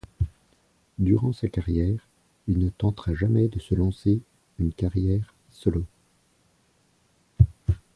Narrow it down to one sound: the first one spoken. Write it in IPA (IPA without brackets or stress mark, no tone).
d̪